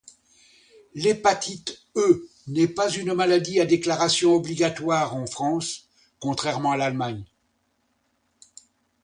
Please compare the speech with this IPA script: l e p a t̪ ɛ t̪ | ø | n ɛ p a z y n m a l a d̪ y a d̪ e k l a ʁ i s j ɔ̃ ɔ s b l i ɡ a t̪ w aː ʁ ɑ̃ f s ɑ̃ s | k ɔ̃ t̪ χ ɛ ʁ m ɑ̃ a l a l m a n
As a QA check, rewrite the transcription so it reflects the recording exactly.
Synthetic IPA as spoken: l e p a t̪ i t̪ | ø | n ɛ p a z y n m a l a d̪ i a d̪ e k l a ʁ a s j ɔ̃ ɔ b l i ɡ a t̪ w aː ʁ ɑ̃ f χ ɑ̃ s | k ɔ̃ t̪ χ ɛ ʁ m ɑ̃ a l a l m a ɲ